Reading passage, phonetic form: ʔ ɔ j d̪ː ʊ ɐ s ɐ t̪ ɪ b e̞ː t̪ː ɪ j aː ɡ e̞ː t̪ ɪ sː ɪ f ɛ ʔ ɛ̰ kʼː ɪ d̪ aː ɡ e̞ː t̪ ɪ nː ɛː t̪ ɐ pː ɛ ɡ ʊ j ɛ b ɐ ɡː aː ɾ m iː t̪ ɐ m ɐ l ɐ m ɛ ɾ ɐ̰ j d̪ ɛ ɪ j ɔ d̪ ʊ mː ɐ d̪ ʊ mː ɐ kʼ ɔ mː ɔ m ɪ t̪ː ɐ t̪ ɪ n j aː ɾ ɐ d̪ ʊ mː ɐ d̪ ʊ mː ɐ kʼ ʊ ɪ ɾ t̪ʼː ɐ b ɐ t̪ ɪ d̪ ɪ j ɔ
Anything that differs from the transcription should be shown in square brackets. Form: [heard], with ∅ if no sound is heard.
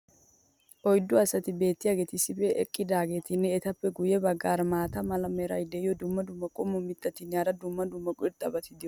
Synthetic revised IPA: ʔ ɔ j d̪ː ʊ ɐ s ɐ t̪ ɪ b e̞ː t̪ː ɪ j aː ɡ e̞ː t̪ ɪ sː ɪ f ɛ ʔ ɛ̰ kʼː ɪ d̪ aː ɡ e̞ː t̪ ɪ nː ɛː t̪ ɐ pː ɛ ɡ ʊ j ɛ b ɐ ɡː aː ɾ m [aː] t̪ ɐ m ɐ l ɐ m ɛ ɾ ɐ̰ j d̪ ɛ ɪ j ɔ d̪ ʊ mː ɐ d̪ ʊ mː ɐ kʼ ɔ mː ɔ m ɪ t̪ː ɐ t̪ ɪ n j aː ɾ ɐ d̪ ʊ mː ɐ d̪ ʊ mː ɐ kʼ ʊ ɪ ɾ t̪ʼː ɐ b ɐ t̪ ɪ d̪ ɪ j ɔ